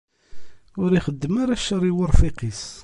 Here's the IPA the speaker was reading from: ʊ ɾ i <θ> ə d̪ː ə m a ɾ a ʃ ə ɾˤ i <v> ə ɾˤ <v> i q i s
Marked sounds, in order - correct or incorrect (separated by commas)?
incorrect, incorrect, incorrect